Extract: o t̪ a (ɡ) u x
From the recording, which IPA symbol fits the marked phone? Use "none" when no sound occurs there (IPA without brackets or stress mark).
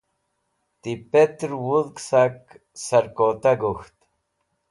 ɡ